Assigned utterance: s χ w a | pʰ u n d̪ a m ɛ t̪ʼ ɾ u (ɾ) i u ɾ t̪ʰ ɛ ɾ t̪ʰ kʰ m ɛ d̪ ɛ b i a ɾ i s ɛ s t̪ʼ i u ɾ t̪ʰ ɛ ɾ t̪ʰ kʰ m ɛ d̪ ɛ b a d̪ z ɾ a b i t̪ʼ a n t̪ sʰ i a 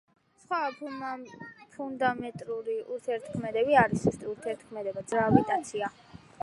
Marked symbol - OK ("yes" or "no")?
yes